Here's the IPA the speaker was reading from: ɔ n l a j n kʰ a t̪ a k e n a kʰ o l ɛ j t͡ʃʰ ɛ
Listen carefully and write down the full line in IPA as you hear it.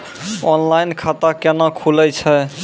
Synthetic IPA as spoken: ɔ n l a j n kʰ a t̪ a k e n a kʰ u l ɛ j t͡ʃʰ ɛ